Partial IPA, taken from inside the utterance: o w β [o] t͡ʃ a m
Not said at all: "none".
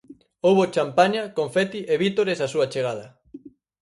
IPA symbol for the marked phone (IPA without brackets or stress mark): o